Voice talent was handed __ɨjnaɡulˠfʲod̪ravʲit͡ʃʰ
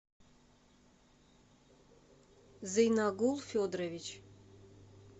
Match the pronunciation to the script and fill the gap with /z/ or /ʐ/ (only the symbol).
z